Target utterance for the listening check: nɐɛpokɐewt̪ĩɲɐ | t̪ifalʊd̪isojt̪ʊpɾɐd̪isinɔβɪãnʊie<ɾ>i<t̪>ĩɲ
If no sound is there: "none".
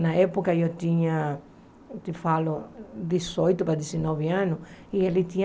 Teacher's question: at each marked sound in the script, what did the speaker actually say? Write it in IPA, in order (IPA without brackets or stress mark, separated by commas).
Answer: l, t̪